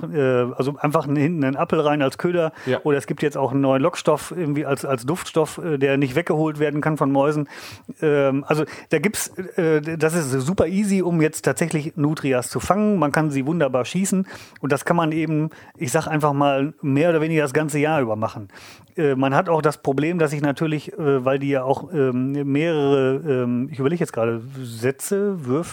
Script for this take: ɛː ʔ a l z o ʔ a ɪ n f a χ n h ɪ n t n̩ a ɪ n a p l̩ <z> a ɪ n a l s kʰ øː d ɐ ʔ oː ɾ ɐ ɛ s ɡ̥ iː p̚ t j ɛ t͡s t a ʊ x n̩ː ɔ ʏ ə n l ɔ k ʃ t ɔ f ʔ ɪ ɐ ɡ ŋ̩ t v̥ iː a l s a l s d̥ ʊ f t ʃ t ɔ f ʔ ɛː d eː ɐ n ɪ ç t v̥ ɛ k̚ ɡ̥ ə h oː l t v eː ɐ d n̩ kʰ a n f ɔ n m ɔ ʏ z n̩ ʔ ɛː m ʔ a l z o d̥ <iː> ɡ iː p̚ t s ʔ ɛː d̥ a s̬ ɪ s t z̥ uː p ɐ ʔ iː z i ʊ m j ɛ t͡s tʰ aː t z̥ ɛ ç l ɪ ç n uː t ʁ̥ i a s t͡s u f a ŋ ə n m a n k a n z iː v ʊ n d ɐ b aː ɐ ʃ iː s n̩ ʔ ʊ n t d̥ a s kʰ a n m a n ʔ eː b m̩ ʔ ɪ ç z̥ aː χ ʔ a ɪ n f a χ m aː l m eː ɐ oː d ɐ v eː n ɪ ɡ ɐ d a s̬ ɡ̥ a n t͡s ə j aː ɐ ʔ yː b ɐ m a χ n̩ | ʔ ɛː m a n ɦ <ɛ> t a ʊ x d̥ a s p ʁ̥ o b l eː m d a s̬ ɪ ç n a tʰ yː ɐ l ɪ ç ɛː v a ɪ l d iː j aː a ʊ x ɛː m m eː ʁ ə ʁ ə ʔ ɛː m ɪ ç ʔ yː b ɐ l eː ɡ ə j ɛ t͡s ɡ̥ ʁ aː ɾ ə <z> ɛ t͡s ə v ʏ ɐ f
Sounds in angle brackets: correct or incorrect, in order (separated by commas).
incorrect, incorrect, incorrect, correct